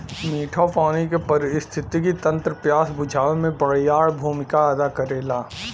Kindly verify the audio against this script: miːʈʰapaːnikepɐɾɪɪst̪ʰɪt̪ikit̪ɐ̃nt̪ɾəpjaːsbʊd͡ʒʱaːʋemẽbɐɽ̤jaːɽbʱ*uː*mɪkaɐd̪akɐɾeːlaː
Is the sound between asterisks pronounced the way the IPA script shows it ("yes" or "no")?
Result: yes